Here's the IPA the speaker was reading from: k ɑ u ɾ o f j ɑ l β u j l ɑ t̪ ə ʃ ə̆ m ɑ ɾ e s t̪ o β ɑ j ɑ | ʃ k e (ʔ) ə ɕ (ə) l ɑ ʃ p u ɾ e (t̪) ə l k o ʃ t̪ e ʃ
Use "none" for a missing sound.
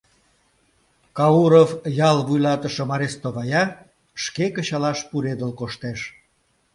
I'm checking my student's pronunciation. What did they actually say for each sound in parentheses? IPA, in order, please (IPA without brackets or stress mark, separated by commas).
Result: k, ɑ, d̪